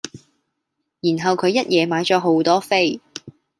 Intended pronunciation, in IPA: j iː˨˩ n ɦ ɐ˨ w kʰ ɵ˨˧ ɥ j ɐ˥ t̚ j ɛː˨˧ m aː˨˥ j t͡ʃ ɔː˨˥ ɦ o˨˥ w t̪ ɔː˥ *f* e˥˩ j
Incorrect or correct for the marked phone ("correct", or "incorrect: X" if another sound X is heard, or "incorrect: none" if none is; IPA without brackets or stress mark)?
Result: correct